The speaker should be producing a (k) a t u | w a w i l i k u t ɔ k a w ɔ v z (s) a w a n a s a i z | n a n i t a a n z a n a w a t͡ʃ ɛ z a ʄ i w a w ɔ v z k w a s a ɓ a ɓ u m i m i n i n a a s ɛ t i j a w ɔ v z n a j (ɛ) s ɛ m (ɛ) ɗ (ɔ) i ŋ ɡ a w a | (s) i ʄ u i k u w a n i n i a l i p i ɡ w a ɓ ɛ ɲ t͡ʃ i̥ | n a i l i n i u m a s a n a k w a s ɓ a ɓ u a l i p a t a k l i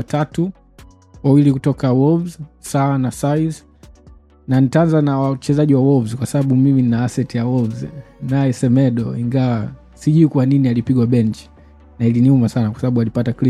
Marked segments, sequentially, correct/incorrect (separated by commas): incorrect, correct, correct, correct, correct, correct